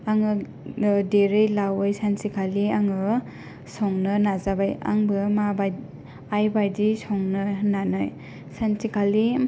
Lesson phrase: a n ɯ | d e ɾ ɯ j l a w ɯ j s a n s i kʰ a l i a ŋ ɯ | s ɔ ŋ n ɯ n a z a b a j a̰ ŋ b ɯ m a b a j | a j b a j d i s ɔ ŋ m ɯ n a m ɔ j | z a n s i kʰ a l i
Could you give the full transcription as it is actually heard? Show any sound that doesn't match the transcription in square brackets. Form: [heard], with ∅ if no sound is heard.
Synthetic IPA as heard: a [ŋ] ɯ | d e ɾ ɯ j l a w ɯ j s a n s i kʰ a l i a ŋ ɯ | s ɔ ŋ n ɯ n a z a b a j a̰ ŋ b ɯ m a b a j | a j b a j d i s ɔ ŋ [n] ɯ n a [n] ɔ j | [s] a n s i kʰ a l i